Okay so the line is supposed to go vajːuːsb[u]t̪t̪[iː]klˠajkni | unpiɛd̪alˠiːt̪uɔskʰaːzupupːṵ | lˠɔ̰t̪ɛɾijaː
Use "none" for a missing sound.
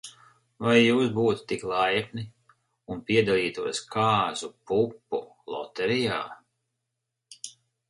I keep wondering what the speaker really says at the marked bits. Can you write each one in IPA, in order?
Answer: uː, i

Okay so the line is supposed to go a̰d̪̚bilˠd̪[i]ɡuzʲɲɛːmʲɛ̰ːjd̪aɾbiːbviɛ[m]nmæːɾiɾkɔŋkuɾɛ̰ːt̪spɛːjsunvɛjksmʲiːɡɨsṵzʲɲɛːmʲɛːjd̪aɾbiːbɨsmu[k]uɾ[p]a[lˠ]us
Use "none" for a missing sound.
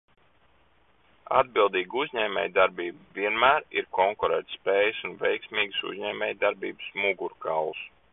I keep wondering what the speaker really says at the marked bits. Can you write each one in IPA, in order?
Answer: iː, none, ɡ, k, lˠ

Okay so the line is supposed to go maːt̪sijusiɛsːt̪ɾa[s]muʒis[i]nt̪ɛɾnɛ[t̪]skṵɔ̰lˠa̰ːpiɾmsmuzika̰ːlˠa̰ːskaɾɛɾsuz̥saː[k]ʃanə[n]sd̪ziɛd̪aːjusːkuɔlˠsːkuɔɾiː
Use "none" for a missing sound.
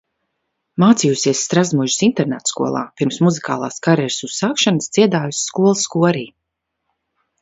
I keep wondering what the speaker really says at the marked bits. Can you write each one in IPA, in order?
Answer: z, i, t̪, k, none

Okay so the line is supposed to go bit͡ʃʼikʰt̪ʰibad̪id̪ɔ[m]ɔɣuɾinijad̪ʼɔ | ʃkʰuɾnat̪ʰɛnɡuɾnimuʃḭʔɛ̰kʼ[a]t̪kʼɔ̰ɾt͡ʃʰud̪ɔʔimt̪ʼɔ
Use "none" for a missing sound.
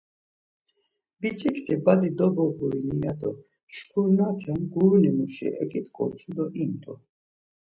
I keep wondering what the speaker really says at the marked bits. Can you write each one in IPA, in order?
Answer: b, i

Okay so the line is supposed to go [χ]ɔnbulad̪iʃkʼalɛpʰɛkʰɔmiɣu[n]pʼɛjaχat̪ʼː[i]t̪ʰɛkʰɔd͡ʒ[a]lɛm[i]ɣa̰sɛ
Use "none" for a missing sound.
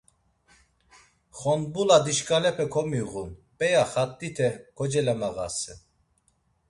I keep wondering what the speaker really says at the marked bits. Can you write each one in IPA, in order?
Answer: χ, n, i, ɛ, a

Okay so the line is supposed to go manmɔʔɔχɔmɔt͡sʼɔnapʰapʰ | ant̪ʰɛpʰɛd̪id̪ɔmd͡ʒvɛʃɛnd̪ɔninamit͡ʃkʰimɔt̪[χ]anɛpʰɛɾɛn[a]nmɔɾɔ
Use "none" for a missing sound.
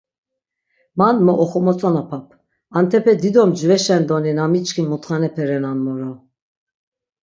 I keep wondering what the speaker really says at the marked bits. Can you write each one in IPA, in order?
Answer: χ, a

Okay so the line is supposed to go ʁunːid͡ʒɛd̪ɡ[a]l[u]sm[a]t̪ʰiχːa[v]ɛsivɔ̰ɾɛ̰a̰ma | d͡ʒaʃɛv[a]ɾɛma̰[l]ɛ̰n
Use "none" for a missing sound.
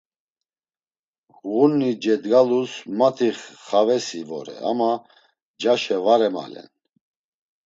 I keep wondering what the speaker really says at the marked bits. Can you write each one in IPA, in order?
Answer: a, u, a, v, a, l

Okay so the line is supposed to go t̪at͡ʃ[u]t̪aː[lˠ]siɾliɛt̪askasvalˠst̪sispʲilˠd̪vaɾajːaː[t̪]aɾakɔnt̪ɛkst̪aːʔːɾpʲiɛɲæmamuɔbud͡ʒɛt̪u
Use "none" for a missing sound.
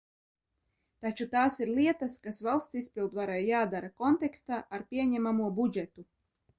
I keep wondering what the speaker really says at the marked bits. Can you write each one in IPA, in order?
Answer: u, none, d̪

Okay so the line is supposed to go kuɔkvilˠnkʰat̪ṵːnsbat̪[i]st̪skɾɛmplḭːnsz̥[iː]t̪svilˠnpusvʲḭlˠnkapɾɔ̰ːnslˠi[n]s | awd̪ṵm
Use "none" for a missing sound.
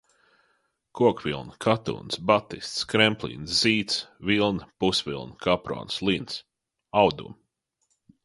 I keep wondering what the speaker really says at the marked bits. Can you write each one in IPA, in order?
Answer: i, iː, n

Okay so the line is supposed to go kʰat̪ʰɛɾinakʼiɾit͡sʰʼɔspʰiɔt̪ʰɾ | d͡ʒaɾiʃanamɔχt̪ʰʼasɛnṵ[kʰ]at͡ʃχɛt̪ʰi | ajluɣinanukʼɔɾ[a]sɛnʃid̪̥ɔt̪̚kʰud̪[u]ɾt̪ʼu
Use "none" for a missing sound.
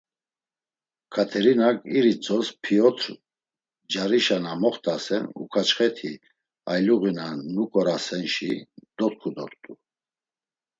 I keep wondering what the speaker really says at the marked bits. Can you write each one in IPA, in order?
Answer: kʰ, a, ɔ

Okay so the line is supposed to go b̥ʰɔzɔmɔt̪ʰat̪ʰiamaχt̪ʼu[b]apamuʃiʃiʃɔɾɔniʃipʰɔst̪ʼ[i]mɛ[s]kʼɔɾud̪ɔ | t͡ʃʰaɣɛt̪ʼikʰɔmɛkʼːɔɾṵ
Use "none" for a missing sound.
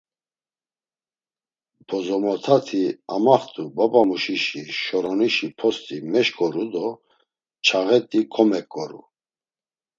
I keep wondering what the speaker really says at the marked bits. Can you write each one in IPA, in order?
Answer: b, i, ʃ

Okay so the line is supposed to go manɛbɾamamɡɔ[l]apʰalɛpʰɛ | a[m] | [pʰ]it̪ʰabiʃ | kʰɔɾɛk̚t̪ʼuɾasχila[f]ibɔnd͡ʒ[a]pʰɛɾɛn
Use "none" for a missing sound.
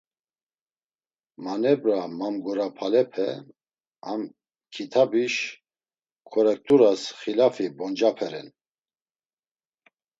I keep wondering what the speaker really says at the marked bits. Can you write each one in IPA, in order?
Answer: ɾ, m, kʰ, f, a

